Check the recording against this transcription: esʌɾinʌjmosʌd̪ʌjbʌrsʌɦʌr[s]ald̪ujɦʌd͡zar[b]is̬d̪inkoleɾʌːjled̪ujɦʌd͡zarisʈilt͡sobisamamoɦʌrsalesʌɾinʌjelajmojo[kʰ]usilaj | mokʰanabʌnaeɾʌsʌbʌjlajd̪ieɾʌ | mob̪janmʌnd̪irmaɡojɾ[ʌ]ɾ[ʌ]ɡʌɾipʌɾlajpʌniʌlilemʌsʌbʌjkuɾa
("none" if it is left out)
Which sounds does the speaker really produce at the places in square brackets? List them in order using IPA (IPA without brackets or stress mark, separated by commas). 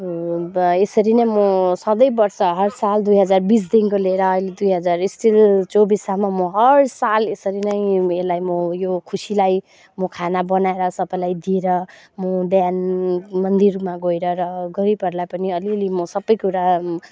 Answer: s, b, kʰ, ʌ, ʌ